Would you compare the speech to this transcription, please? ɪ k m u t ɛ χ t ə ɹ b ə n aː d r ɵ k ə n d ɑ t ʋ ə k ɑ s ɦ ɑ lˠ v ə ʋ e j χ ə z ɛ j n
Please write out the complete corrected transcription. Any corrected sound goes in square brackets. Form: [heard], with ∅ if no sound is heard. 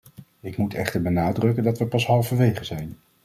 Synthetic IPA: ɪ k m u t ɛ χ t ə ɹ b ə n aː d r ɵ k ə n d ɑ t ʋ ə [p] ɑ s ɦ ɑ lˠ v ə ʋ e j χ ə z ɛ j n

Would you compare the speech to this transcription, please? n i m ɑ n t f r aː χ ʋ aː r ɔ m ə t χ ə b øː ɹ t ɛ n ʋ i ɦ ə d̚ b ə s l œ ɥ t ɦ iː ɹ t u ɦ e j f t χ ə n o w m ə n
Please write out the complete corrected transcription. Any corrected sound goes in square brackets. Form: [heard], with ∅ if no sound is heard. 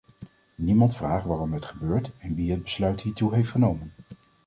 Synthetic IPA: n i m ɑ n t f r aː χ ʋ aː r ɔ m ə t χ ə b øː ɹ t ɛ n ʋ i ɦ ə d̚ b ə s l œ ɥ t ɦ iː ɹ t u ɦ e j f t χ ə n o w m ə n

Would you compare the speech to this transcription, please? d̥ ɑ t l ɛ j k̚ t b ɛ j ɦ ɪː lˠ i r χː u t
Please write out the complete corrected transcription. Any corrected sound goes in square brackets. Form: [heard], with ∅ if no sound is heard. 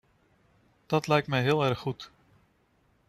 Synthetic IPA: d̥ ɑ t l ɛ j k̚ t [m] ɛ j ɦ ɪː lˠ [ɛ] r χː u t

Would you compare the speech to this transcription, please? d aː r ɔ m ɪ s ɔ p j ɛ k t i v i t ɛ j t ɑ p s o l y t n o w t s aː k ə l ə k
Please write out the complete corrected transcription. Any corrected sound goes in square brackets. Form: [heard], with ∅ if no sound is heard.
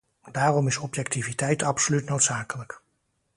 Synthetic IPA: d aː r ɔ m ɪ s ɔ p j ɛ k t i v i t ɛ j t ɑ p s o l y t n o w t s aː k ə l ə k

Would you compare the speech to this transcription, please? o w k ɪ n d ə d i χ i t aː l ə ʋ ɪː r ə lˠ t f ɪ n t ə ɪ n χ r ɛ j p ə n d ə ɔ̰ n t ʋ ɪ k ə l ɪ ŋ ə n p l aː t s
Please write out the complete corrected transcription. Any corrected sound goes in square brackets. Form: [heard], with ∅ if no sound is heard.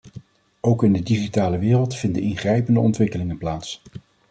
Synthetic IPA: o w k ɪ n d ə d i χ i t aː l ə ʋ ɪː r ə lˠ t f ɪ n [d] ə ɪ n χ r ɛ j p ə n d ə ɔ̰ n t ʋ ɪ k ə l ɪ ŋ ə n p l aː t s

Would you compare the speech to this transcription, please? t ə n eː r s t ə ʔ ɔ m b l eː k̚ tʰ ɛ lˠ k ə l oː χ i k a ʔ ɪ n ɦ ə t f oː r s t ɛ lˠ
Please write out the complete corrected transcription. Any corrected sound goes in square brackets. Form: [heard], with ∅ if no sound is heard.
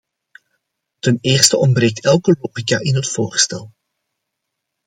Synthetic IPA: t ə n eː r s t ə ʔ ɔ m b [r] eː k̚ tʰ ɛ lˠ k ə l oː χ i k a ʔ ɪ n ɦ ə t f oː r s t ɛ lˠ

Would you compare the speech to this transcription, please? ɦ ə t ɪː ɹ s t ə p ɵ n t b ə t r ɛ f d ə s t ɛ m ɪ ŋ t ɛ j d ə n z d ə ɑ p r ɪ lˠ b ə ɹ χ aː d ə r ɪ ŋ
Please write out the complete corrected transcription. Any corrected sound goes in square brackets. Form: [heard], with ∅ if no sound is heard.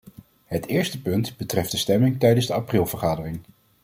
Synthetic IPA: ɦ ə t ɪː ɹ s t ə p ɵ n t b ə t r ɛ f d ə s t ɛ m ɪ ŋ t ɛ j d ə n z d ə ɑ p r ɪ lˠ [v] ə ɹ χ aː d ə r ɪ ŋ

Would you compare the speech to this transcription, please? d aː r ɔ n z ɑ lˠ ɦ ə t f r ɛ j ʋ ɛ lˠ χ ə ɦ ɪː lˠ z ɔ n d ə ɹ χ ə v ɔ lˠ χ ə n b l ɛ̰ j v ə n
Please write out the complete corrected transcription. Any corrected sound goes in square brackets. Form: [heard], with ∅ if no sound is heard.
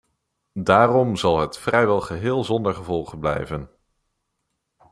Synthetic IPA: d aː r ɔ [m] z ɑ lˠ ɦ ə t f r ɛ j ʋ ɛ lˠ χ ə ɦ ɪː lˠ z ɔ n d ə ɹ χ ə v ɔ lˠ χ ə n b l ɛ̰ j v ə n

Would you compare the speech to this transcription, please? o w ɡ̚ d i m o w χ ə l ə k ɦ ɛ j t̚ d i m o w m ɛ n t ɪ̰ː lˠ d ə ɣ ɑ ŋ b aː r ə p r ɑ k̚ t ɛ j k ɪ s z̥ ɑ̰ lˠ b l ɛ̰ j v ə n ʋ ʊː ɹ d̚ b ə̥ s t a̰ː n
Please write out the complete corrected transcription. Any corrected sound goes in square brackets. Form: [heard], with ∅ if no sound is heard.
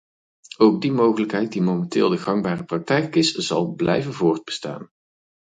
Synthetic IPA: o w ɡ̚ d i m o w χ ə l ə k ɦ ɛ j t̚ d i m o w m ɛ n t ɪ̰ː lˠ d ə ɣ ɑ ŋ b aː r ə p r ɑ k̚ t ɛ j k ɪ s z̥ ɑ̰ lˠ b l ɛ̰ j v ə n [v] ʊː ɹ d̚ b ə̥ s t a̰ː n

